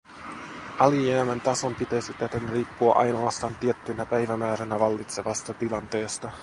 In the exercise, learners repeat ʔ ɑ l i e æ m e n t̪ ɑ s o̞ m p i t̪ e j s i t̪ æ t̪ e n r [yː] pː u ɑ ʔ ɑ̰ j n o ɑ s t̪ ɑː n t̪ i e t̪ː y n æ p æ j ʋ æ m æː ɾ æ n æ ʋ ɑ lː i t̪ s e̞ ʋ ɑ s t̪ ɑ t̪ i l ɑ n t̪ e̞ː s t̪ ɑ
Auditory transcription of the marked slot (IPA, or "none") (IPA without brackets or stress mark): iː